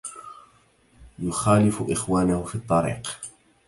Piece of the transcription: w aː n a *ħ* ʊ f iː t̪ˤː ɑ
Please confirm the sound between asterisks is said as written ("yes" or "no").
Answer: no